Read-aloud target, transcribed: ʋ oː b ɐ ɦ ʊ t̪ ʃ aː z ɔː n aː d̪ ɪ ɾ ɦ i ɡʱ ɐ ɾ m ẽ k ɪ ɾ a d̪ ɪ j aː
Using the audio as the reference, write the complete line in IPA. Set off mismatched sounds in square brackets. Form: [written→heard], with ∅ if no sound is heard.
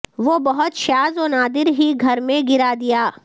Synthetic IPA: ʋ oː b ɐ ɦ ʊ t̪ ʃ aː z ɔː n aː d̪ ɪ ɾ ɦ i ɡʱ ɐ ɾ m ẽ [k→ɡ] ɪ ɾ a d̪ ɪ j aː